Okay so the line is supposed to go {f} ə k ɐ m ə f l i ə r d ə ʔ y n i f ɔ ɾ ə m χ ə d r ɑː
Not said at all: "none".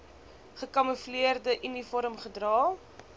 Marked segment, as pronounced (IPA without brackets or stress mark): χ